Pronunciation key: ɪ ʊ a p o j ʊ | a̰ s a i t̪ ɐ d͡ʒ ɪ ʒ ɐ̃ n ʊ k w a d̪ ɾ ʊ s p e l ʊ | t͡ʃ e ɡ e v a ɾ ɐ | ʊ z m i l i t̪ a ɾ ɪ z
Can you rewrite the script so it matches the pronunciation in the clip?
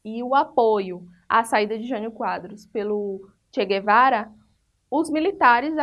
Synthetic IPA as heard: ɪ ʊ a p o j ʊ | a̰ s a i d̪ ɐ d͡ʒ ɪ ʒ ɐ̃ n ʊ k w a d̪ ɾ ʊ s p e l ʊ | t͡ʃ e ɡ e v a ɾ ɐ | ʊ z m i l i t̪ a ɾ ɪ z